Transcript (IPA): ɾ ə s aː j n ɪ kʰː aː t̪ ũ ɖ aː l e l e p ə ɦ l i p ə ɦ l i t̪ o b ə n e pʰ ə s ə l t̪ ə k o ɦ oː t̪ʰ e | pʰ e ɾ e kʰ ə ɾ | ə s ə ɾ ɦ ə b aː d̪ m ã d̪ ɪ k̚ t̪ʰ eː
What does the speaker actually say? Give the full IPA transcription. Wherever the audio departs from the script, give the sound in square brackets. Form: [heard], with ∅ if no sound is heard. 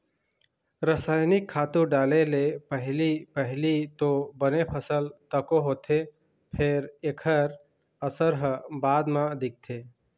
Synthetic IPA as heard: ɾ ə s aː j n ɪ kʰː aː t̪ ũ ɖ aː l e l e p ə ɦ l i p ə ɦ l i t̪ o b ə n e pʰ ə s ə l t̪ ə k o ɦ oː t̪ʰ e | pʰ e ɾ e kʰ ə ɾ | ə s ə ɾ ɦ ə b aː d̪ m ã d̪ ɪ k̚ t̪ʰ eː